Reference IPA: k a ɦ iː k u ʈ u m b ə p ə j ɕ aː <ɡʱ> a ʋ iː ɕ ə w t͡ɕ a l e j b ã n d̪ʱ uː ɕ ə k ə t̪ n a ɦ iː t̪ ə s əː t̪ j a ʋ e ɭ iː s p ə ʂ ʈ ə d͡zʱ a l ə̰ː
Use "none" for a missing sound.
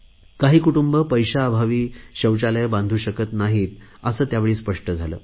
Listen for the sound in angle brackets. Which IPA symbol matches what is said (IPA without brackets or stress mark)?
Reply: bʱ